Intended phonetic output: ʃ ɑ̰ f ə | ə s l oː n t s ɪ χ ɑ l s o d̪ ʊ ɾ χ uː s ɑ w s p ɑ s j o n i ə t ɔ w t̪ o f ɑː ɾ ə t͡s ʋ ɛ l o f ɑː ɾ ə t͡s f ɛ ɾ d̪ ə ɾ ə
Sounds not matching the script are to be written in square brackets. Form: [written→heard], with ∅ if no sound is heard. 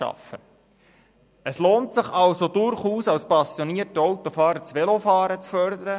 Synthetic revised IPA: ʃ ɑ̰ f ə | ə s l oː n t s ɪ χ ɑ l s o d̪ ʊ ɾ χ uː s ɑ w s p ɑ s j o n i ə t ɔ w t̪ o f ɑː ɾ ə t͡s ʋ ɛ l o f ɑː ɾ ə t͡s f [ɛ→œ] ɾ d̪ ə ɾ ə